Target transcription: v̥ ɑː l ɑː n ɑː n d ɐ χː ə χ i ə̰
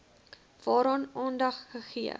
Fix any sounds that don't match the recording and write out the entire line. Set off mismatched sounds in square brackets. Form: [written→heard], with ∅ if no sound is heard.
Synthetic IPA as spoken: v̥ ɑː [l→ɾ] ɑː n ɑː n d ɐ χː ə χ i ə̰